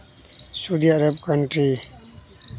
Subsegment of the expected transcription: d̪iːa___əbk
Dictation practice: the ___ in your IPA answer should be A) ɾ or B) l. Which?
A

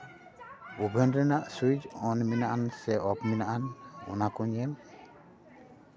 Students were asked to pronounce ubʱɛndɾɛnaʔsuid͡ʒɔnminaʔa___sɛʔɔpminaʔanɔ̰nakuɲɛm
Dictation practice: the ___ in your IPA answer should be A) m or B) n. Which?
B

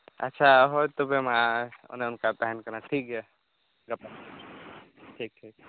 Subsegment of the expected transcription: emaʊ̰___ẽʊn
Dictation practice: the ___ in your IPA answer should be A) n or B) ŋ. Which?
A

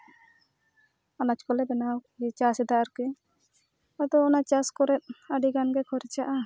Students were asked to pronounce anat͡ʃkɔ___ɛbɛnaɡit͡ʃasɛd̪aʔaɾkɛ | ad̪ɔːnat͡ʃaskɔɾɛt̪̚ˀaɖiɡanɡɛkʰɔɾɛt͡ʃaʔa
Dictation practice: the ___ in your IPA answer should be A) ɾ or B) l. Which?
B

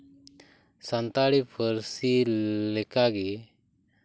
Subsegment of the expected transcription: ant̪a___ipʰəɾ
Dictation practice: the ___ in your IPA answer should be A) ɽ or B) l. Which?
A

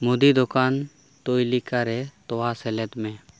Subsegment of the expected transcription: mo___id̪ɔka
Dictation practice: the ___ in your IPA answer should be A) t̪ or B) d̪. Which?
B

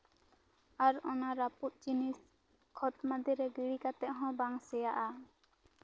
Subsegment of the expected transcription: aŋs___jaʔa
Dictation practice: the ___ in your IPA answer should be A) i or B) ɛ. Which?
B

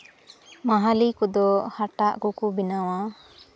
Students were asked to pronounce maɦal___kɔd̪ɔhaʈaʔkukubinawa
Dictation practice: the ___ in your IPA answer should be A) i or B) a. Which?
A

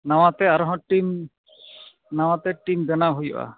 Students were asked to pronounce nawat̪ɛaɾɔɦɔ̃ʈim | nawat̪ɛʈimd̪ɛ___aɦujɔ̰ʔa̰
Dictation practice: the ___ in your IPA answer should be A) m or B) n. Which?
B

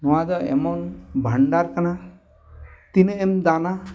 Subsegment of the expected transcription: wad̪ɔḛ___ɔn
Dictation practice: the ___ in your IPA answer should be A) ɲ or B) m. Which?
B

